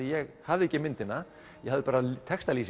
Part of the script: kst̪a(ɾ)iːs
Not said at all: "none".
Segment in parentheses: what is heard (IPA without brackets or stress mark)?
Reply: l